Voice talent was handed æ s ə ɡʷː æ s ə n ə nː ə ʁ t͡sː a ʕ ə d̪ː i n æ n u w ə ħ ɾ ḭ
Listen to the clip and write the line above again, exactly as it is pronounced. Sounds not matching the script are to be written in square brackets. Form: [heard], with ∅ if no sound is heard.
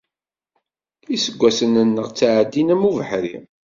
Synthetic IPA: [i] s ə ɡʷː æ s ə n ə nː ə ʁ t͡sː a ʕ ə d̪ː i n æ [m] u [v] ə ħ ɾ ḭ